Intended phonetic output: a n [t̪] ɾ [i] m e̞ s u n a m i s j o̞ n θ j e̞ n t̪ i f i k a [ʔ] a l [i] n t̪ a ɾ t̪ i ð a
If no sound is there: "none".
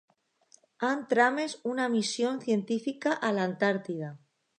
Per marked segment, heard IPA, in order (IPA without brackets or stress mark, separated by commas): t̪, a, ʔ, a